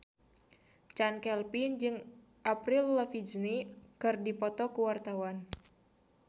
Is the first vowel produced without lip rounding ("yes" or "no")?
yes